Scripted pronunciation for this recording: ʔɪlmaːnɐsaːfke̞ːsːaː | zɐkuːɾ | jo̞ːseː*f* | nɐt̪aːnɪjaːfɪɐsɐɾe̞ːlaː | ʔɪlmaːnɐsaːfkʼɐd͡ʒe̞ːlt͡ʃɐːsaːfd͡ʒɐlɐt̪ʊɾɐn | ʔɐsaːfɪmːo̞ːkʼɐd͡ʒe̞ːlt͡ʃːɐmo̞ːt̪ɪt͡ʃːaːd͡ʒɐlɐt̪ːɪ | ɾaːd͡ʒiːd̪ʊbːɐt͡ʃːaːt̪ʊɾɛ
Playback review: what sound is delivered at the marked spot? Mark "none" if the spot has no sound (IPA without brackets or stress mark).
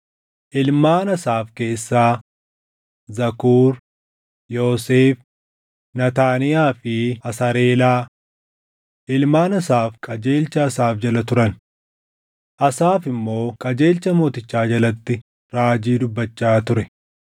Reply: f